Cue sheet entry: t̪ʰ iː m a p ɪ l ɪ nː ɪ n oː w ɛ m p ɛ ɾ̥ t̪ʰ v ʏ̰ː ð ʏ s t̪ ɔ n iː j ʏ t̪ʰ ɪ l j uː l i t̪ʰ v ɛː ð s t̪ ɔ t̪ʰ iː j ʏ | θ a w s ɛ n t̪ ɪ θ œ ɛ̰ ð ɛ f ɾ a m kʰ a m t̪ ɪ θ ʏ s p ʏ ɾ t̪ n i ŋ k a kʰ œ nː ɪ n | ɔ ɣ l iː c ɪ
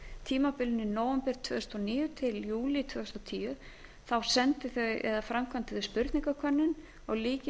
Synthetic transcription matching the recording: t̪ʰ iː m a p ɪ l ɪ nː ɪ n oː w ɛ m p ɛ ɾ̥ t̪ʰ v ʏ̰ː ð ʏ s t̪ ɔ n iː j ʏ t̪ʰ ɪ l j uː l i t̪ʰ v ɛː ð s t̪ ɔ t̪ʰ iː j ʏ | θ a w s ɛ n t̪ ɪ θ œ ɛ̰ ð a f ɾ a m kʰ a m t̪ ɪ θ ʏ s p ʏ ɾ t̪ n i ŋ k a kʰ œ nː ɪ n | ɔ ɣ l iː c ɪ